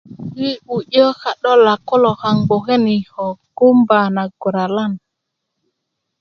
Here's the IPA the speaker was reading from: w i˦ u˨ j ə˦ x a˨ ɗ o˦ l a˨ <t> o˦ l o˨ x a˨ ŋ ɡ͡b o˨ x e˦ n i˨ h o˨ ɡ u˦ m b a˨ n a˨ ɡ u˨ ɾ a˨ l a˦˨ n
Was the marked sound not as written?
yes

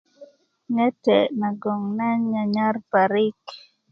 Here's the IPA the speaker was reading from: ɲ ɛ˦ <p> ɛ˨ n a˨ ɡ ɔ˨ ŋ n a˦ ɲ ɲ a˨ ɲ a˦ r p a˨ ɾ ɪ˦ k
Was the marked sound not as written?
yes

